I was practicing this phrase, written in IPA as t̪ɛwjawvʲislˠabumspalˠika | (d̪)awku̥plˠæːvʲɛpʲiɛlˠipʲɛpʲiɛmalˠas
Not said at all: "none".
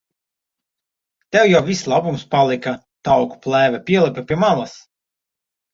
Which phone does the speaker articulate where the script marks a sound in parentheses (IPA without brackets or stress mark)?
t̪